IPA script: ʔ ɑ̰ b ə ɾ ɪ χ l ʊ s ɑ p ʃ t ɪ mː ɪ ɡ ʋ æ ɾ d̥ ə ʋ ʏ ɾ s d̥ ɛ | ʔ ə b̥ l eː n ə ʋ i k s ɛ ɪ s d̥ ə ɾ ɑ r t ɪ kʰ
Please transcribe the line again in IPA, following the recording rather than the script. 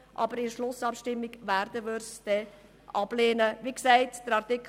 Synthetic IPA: ʔ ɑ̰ b ə ɾ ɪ ʃ l ʊ s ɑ p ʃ t ɪ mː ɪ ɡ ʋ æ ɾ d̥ ə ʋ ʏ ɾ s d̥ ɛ | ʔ ɑ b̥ l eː n ə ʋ i k s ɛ ɪ t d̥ ə ɾ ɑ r t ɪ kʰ